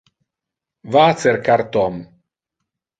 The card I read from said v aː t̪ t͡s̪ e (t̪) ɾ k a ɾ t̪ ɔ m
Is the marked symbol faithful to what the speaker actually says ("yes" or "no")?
no